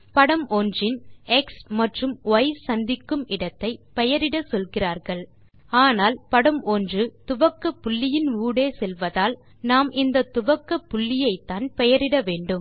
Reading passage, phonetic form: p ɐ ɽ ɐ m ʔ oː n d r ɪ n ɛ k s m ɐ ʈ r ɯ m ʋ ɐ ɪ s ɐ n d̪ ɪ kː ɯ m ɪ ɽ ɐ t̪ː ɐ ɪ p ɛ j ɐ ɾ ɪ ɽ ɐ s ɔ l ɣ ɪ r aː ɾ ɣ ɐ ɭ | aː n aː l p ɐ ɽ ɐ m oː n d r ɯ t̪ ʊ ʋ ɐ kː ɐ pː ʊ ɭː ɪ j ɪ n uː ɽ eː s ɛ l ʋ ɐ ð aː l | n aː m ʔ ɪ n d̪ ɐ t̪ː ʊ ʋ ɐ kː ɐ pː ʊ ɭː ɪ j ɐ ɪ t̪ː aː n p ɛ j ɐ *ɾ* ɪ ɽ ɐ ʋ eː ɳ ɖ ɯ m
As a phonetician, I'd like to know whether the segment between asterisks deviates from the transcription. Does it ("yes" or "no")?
no